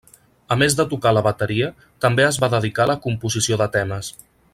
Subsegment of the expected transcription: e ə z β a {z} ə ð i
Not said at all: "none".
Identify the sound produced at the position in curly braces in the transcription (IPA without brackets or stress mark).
ð